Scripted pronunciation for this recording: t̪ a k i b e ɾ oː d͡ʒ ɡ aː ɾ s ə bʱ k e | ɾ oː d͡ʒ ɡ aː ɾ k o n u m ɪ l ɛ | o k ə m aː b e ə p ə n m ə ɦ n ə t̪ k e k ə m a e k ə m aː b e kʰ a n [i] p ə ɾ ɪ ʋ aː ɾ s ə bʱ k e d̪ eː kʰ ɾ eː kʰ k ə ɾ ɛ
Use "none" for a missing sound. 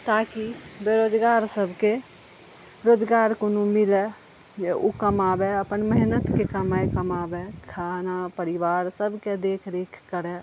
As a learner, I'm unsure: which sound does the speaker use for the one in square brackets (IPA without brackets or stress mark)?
a